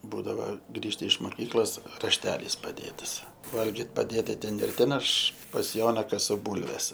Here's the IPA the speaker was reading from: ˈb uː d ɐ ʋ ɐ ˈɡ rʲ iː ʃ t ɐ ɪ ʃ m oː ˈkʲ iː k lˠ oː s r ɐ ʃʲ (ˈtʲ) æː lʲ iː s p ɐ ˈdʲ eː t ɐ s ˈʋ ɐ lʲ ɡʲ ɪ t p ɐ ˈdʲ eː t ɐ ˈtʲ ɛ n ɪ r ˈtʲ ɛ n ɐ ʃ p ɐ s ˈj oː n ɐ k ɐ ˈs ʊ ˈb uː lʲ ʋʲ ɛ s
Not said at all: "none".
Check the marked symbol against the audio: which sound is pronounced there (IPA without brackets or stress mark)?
tʲ